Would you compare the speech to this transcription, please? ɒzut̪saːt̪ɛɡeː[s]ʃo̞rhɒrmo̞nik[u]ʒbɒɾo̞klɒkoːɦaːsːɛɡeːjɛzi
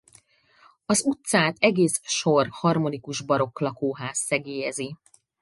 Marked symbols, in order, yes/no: yes, yes

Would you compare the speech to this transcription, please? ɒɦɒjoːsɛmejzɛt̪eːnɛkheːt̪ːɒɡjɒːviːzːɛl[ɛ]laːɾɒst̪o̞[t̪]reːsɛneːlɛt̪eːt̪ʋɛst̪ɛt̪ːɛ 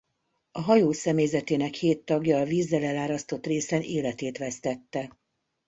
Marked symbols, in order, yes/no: yes, yes

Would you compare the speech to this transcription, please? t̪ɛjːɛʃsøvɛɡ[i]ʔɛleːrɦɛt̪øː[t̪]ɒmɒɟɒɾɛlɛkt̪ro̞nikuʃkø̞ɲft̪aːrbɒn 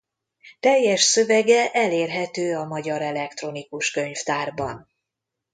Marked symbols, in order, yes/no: no, no

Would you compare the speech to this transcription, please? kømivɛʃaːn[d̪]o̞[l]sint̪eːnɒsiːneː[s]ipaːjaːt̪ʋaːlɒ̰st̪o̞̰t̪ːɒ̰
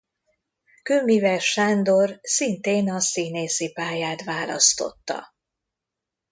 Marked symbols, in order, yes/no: yes, no, yes

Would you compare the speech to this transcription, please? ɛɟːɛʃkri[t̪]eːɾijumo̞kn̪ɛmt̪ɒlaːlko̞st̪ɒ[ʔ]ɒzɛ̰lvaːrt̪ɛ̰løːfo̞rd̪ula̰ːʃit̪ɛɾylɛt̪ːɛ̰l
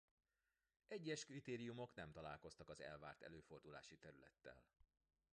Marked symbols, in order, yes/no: yes, no

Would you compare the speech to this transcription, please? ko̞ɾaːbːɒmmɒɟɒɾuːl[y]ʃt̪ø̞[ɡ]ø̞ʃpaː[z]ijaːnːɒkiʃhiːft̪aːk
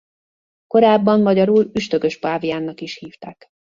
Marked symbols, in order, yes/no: yes, yes, no

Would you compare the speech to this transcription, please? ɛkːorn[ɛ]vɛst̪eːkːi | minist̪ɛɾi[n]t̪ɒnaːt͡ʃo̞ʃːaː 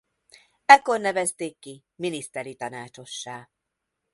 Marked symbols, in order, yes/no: yes, no

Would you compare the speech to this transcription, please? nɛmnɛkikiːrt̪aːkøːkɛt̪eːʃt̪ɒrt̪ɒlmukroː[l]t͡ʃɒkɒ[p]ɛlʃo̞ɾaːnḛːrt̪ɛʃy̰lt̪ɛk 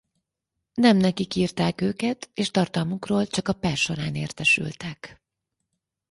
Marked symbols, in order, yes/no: yes, yes

